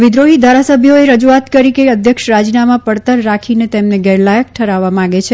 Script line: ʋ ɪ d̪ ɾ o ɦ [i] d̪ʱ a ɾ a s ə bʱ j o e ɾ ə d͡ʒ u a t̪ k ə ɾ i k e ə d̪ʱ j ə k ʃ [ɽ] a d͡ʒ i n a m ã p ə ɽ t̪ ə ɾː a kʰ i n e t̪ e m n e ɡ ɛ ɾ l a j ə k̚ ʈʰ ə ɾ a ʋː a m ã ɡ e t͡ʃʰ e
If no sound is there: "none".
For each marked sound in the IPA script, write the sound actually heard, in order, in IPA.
i, ɾ

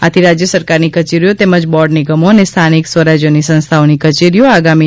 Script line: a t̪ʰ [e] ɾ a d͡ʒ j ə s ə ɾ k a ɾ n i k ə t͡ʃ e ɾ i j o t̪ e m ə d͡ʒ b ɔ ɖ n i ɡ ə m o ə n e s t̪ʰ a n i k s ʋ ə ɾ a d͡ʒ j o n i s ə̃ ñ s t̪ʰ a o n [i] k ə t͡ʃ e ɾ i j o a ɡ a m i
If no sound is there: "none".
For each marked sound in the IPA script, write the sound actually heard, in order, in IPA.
i, i

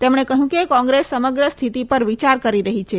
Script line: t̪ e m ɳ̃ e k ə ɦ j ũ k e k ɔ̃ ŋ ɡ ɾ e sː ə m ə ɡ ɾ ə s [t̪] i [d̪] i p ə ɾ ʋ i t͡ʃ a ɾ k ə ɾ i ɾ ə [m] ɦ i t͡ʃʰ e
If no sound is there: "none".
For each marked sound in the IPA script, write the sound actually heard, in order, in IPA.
t̪ʰ, t̪, none

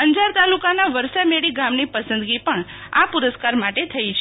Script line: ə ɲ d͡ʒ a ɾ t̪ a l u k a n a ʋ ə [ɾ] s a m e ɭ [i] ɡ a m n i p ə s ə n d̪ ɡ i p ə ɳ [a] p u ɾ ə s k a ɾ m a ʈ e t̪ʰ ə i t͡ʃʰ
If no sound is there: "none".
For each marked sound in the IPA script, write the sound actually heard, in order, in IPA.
ɾ, i, a

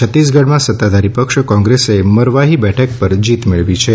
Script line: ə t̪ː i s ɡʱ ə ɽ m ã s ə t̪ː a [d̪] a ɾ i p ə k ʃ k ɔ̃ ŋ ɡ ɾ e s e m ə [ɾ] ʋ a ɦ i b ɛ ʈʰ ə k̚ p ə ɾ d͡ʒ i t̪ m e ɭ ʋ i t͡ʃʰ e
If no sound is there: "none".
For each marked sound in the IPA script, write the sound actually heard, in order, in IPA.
d̪, ɾ

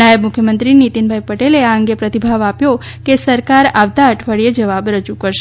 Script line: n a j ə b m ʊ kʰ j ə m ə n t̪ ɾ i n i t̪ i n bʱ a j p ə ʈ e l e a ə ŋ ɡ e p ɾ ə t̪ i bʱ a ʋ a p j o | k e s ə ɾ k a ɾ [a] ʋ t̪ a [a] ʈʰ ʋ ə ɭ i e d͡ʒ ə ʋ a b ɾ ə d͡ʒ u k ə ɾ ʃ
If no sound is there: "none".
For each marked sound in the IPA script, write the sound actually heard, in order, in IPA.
a, ə

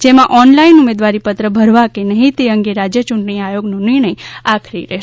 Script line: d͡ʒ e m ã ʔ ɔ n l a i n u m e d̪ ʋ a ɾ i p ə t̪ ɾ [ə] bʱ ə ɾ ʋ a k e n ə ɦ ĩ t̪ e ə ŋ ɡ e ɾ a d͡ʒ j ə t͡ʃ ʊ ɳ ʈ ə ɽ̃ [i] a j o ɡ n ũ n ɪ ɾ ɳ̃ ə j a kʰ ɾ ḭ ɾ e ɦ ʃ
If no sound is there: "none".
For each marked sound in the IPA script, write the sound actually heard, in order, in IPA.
ə, i

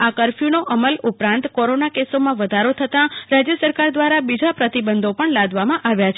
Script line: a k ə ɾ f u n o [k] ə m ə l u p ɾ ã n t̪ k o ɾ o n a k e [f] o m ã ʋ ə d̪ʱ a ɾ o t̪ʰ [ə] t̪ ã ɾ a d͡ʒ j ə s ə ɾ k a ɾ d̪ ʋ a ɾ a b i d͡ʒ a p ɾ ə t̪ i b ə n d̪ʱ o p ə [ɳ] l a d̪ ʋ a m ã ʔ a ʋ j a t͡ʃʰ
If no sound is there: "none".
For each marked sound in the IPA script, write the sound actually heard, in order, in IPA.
ʔ, s, ə, ɳ

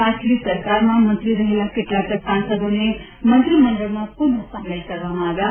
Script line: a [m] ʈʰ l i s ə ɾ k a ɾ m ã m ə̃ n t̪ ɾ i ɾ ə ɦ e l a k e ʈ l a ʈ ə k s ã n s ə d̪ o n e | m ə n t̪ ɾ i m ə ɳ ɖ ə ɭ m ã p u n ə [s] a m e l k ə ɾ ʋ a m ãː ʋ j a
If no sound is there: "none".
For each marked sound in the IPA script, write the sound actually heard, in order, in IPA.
none, s

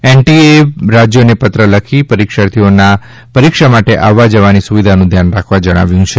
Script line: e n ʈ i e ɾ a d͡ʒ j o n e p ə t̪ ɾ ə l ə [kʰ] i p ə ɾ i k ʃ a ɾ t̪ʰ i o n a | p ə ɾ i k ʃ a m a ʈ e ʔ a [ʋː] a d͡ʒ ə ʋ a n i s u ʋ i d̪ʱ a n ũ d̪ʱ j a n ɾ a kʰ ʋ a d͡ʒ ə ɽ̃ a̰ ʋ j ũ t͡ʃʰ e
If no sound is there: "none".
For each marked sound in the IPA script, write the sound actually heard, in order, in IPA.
kʰ, ʋː

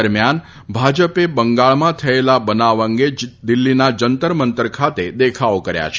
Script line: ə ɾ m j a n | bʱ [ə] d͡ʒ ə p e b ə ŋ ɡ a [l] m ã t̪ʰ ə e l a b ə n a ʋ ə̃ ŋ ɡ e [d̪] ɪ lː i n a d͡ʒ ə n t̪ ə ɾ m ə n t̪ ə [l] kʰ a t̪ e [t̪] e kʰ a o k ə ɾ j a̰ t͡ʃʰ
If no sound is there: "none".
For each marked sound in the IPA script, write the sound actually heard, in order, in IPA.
a, ɭ, d̪, ɾ, d̪

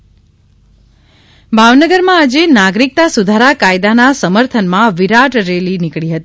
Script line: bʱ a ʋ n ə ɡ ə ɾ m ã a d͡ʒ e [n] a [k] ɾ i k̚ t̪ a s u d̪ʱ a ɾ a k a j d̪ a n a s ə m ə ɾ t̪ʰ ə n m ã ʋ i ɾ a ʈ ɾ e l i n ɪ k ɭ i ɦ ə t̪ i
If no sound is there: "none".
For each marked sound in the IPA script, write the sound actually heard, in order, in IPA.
n, ɡ

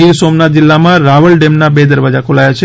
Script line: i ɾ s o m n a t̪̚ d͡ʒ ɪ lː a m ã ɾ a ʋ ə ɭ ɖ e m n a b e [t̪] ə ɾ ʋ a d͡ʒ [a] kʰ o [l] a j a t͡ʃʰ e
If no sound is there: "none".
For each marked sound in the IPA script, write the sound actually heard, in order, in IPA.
d̪, a, l

